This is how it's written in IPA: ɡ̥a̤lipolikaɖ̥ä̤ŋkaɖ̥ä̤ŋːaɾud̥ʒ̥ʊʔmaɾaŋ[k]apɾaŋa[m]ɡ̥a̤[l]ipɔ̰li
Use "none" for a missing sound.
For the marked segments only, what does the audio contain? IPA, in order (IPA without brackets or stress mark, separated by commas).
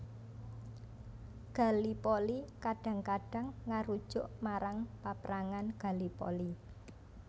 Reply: p, n, l